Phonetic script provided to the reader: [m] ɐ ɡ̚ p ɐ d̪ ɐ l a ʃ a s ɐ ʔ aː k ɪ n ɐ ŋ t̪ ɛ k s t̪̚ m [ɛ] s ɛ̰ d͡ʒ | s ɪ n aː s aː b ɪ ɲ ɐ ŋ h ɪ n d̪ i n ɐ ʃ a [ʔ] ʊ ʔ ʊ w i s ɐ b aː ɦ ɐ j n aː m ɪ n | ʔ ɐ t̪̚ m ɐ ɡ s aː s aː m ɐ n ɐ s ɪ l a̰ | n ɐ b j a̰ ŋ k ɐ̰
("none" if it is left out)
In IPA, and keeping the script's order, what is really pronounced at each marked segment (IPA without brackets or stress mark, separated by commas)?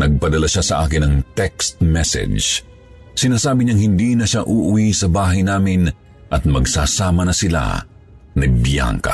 n, ɛ, ʔ